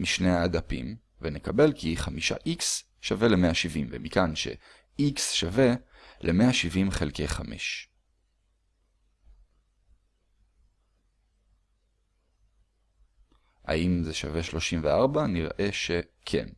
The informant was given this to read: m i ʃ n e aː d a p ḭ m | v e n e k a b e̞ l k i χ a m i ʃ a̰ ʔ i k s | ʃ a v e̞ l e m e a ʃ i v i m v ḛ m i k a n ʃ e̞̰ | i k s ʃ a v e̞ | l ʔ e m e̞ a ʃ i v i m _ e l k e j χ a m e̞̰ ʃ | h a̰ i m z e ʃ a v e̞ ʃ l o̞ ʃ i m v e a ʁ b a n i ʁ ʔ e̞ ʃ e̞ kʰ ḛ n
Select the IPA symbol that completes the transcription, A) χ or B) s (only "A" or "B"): A